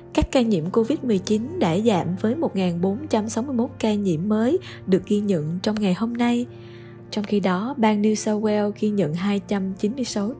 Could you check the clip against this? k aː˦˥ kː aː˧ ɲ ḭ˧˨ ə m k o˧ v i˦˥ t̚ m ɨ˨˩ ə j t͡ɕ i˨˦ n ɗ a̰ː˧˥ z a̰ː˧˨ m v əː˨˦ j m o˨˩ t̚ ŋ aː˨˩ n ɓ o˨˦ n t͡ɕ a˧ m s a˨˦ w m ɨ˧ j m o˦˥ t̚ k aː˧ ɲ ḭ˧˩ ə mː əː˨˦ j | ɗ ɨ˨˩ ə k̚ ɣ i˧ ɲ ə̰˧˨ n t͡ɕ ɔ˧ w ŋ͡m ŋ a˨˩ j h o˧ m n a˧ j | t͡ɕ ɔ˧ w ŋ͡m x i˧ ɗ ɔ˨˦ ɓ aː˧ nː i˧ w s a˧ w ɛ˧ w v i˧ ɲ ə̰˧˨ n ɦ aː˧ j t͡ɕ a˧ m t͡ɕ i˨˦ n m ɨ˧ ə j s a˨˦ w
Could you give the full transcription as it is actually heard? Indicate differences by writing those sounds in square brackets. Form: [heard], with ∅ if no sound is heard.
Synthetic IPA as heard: k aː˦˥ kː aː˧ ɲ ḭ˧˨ ə m k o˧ v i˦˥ t̚ m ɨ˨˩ ə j t͡ɕ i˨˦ n ɗ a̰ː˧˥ z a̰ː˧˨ m v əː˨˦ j m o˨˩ t̚ ŋ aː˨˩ n ɓ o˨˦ n t͡ɕ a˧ m s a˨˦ w m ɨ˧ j m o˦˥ t̚ k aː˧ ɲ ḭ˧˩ ə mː əː˨˦ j | ɗ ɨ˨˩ ə k̚ ɣ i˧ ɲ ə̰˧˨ n t͡ɕ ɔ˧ w ŋ͡m ŋ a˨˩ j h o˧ m n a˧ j | t͡ɕ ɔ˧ w ŋ͡m x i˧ ɗ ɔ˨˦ ɓ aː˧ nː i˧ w s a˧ w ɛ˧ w [ɣ] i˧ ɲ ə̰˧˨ n ɦ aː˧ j t͡ɕ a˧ m t͡ɕ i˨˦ n m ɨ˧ ə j s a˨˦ w